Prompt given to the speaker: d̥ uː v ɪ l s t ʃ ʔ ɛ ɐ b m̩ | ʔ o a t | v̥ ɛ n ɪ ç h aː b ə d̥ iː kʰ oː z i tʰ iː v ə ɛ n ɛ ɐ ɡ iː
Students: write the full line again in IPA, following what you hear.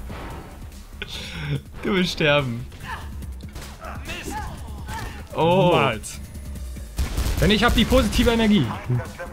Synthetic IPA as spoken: d̥ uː v ɪ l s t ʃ t ɛ ɐ b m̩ | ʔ o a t | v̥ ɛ n ɪ ç h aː b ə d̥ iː pʰ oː z i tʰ iː v ə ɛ n ɛ ɐ ɡ iː